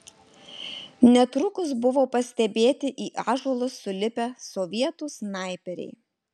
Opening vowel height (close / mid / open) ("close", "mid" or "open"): mid